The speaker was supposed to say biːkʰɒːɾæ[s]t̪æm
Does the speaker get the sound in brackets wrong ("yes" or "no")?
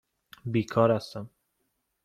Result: no